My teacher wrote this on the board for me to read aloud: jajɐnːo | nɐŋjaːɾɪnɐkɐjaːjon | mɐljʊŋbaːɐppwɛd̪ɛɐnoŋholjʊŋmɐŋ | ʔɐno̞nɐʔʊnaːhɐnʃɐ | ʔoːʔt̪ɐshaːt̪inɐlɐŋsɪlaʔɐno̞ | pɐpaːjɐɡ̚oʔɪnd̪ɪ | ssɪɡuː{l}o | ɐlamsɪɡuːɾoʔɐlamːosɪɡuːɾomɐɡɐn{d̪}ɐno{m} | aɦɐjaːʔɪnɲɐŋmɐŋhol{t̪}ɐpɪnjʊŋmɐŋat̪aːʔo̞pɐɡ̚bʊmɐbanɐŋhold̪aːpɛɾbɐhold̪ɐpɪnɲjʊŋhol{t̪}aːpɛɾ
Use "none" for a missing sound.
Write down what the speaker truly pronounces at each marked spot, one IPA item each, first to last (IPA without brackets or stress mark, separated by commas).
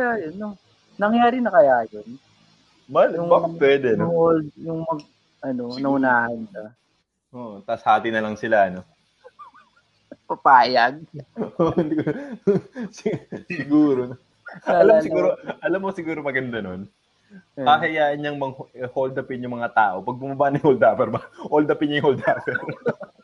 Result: ɾ, d̪, n, d̪, d̪